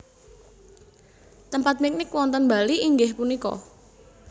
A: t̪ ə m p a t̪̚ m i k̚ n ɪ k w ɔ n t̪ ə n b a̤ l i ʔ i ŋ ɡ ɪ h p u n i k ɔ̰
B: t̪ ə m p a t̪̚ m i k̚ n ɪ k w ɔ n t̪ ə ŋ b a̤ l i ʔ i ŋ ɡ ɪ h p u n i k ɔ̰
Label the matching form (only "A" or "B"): A